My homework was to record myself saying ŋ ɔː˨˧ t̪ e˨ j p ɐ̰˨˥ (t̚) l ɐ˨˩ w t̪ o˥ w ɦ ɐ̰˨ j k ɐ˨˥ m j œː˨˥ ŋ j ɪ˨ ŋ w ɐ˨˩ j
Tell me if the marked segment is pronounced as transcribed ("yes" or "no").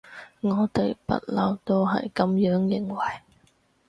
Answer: yes